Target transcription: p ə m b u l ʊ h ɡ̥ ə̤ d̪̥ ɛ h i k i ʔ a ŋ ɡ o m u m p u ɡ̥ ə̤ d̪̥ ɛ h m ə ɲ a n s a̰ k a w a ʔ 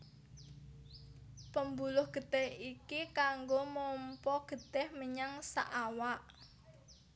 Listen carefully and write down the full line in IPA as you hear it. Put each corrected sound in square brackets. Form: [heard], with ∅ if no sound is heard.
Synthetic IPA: p ə m b u l ʊ h ɡ̥ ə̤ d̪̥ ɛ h i k i [k] a ŋ ɡ o m [ɔ] m p [ɔ] ɡ̥ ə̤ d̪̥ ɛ h m ə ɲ a [ŋ] s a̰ [ʔ] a w a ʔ

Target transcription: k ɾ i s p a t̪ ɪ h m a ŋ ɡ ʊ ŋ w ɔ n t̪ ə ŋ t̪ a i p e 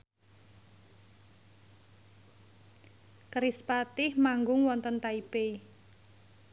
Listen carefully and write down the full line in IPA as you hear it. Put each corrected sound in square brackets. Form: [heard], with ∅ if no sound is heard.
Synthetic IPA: k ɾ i s p a t̪ ɪ h m a ŋ ɡ ʊ ŋ w ɔ n t̪ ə [n] t̪ a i p e

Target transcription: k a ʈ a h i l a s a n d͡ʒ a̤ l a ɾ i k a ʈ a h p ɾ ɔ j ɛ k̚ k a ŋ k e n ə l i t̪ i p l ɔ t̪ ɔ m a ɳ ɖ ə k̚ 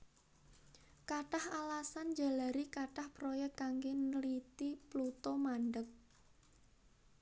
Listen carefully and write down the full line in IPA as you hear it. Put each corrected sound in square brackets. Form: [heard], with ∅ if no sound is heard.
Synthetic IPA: k a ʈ a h [a] l a s a n d͡ʒ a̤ l a ɾ i k a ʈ a h p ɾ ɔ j ɛ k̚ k a ŋ [ɡ] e n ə l i t̪ i p l [u] t̪ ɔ m a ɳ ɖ ə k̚

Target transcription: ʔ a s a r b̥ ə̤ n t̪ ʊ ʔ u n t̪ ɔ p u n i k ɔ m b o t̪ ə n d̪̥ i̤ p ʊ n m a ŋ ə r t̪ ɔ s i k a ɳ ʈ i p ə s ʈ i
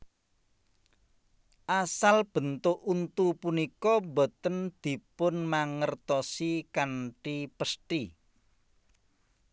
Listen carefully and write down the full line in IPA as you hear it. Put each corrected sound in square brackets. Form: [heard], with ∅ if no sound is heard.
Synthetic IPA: ʔ a s a [l] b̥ ə̤ n t̪ ʊ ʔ u n t̪ [u] p u n i k ɔ m b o t̪ ə n d̪̥ i̤ p ʊ n m a ŋ ə r t̪ ɔ s i k a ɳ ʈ i p ə s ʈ i

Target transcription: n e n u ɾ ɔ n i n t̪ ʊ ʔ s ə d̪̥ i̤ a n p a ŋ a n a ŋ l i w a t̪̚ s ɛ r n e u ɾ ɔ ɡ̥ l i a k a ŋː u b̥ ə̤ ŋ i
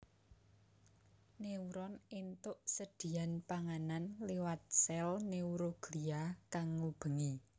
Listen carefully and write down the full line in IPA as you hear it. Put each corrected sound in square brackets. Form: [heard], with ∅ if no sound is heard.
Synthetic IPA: n e [∅] u ɾ ɔ n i n t̪ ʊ ʔ s ə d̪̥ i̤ a n p a ŋ a n a [n] l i w a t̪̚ s ɛ [l] n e u ɾ [o] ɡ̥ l i a k a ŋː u b̥ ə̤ ŋ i

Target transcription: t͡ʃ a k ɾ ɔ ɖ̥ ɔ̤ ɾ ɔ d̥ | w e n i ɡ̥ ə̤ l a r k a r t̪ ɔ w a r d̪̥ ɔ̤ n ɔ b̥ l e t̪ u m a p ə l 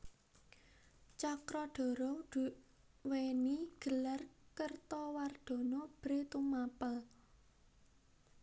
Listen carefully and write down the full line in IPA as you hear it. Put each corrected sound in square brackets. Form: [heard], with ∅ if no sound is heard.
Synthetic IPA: t͡ʃ a k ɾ ɔ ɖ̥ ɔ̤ ɾ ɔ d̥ | w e n i ɡ̥ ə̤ l a r k [ə] r t̪ ɔ w a r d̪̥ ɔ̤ n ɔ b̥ [ɾ] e t̪ u m a p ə l

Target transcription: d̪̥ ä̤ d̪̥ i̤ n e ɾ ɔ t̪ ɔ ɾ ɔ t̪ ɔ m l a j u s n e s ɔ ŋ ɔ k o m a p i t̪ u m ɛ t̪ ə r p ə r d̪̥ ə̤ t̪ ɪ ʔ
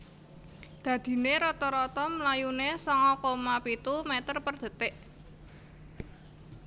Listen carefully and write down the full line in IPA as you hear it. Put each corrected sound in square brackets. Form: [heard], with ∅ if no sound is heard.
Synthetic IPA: d̪̥ ä̤ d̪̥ i̤ n e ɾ ɔ t̪ ɔ ɾ ɔ t̪ ɔ m l a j u [∅] n e s ɔ ŋ ɔ k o m a p i t̪ u m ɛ t̪ ə r p ə r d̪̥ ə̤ t̪ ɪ ʔ

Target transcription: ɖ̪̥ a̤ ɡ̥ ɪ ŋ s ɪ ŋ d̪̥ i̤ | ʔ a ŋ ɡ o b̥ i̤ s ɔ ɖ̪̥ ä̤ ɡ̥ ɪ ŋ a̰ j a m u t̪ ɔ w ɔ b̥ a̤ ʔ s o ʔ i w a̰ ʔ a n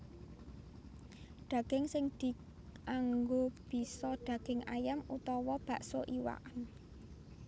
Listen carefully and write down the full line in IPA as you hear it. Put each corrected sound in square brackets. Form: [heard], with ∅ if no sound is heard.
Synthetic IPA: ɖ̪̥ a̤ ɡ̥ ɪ ŋ s ɪ ŋ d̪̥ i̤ | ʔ a ŋ ɡ o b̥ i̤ s ɔ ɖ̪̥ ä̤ ɡ̥ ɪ ŋ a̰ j a m u t̪ ɔ w ɔ b̥ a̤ ʔ s o ʔ i w a̰ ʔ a n

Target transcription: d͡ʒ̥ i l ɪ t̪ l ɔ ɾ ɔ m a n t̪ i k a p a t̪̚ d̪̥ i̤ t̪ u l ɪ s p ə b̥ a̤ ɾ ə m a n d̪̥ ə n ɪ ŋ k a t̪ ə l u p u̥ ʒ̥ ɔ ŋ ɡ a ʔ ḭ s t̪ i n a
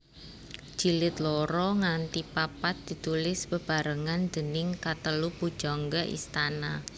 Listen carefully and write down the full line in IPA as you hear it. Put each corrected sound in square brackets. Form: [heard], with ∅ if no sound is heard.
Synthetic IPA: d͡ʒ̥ i l ɪ t̪ l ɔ ɾ ɔ [ŋ] a n t̪ i [p] a p a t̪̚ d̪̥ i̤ t̪ u l ɪ s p ə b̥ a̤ ɾ ə [ŋ] a n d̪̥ ə n ɪ ŋ k a t̪ ə l u p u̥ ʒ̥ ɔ ŋ ɡ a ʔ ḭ s t̪ [a] n a

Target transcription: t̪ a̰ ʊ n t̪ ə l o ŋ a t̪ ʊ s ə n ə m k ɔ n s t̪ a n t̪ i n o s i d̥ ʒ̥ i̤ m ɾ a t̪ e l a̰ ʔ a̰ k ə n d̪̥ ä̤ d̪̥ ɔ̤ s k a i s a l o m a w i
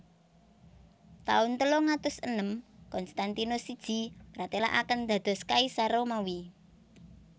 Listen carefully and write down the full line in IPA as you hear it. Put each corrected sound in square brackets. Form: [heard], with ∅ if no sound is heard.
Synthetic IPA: t̪ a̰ ʊ n t̪ ə l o ŋ a t̪ ʊ s ə n ə m k ɔ n s t̪ a n t̪ i n o s i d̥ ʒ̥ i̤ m ɾ a t̪ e l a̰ ʔ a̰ k ə n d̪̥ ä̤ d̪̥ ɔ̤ s k a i s a [ɾ] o m a w i

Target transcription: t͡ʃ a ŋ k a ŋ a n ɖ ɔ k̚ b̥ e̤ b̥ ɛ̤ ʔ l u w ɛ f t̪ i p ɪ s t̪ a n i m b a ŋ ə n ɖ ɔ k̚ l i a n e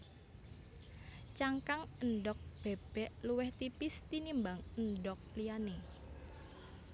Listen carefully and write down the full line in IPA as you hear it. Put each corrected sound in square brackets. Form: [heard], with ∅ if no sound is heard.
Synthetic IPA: t͡ʃ a ŋ k a ŋ [ə] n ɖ ɔ k̚ b̥ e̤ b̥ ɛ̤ ʔ l u w ɛ [h] t̪ i p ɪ s t̪ [i] n i m b a ŋ ə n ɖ ɔ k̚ l i a n e

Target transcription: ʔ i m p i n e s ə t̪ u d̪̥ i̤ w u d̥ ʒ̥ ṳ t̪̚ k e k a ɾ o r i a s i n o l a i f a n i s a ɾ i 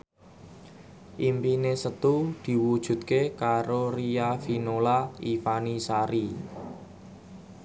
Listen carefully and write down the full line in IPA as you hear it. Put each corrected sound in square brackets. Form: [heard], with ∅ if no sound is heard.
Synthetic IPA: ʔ i m p i n e s ə t̪ u d̪̥ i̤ w u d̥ ʒ̥ ṳ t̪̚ k e k a ɾ o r i a [f] i n o l a i f a n i s a ɾ i

